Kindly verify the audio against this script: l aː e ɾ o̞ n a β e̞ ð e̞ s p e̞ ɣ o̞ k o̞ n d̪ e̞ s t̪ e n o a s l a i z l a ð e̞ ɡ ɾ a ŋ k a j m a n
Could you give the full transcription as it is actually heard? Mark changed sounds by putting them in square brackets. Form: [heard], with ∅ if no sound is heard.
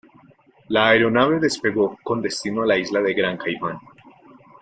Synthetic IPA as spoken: l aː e ɾ o̞ n a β e̞ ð e̞ s p e̞ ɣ o̞ k o̞ n d̪ e̞ s t̪ [i] n o a [∅] l a i z l a ð e̞ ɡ ɾ a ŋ k a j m a n